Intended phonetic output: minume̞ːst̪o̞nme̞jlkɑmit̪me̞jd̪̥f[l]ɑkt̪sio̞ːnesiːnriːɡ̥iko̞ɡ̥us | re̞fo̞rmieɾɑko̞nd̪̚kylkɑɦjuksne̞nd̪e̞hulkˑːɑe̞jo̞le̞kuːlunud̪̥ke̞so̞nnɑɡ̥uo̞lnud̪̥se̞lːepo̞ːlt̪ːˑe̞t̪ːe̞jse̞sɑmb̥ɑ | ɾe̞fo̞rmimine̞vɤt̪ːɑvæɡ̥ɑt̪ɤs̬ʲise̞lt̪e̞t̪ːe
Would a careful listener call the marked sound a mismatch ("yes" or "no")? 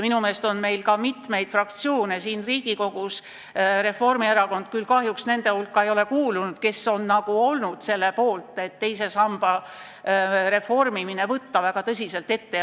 yes